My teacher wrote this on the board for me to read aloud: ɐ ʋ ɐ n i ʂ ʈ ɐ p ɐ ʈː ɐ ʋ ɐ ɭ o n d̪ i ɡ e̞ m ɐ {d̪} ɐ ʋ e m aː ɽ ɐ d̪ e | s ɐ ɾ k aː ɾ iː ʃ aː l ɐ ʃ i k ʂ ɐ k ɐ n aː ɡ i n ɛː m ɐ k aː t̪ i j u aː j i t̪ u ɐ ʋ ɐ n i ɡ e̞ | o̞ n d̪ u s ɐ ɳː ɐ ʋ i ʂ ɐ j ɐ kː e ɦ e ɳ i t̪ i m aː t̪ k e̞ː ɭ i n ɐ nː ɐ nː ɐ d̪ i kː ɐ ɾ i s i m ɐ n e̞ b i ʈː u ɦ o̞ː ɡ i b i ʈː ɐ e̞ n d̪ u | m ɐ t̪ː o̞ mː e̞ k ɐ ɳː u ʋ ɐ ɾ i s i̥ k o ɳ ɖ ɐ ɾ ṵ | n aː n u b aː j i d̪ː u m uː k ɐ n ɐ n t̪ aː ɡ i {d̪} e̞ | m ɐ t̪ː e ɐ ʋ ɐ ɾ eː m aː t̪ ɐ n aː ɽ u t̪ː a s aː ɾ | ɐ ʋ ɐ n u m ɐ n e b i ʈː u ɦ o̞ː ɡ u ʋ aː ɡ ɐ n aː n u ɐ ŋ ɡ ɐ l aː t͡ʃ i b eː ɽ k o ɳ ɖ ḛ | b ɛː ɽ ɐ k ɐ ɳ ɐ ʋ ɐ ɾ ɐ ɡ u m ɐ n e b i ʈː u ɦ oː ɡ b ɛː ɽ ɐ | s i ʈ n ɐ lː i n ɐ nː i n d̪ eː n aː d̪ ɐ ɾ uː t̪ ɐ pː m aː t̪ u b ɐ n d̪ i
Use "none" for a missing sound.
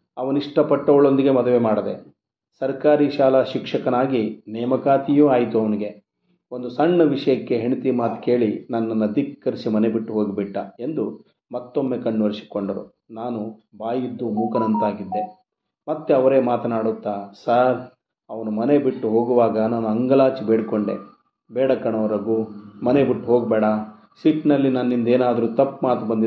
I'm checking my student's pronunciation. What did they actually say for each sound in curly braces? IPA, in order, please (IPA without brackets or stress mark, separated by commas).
d̪, d̪ː